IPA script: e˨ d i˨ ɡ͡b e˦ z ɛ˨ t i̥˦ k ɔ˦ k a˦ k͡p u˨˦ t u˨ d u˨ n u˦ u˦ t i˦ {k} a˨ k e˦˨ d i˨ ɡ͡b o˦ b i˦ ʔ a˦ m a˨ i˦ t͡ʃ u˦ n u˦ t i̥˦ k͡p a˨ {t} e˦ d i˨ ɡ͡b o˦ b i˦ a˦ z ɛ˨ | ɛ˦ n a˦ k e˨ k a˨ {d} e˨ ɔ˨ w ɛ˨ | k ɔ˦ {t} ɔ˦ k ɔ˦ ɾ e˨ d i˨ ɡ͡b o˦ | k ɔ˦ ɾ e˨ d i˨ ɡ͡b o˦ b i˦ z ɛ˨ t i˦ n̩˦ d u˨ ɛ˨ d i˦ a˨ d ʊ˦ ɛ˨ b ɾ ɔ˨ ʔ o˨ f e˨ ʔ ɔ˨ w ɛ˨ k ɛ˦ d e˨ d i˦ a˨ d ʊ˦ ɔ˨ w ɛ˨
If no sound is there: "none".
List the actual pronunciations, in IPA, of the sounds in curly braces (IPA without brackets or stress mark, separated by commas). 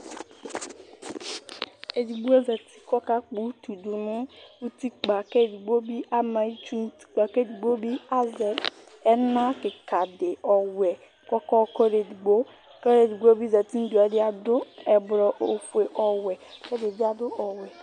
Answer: k͡p, k, d, k